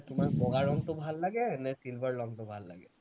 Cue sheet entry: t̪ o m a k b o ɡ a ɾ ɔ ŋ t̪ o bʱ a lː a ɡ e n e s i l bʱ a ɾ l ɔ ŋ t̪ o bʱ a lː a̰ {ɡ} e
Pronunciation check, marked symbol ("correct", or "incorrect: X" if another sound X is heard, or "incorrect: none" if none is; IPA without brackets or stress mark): correct